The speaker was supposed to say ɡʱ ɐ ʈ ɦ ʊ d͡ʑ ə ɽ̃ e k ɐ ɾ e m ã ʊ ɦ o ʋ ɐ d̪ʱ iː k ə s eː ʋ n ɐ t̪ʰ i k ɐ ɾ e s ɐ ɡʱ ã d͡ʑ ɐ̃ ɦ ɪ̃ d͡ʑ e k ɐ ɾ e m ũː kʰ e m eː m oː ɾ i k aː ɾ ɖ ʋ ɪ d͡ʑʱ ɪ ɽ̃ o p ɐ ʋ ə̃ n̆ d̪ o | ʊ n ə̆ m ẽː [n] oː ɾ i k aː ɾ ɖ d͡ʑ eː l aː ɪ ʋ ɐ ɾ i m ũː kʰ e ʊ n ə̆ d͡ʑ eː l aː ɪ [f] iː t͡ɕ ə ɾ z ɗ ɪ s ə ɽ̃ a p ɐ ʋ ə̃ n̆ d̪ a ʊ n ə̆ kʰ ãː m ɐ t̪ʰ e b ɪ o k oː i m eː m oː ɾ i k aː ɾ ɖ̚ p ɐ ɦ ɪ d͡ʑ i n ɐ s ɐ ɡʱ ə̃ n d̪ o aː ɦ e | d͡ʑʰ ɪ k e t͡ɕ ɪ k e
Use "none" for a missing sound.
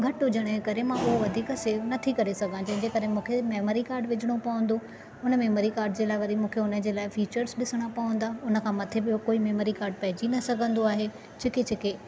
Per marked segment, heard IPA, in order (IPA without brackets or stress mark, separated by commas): m, f